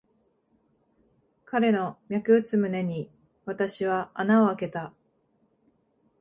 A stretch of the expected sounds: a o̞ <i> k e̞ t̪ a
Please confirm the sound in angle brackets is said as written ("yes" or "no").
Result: no